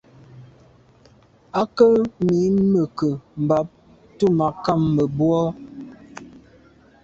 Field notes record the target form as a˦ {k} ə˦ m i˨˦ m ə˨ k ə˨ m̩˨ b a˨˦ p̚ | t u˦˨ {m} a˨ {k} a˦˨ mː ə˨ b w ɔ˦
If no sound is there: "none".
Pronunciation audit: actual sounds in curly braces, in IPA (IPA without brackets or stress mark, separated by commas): k, m, k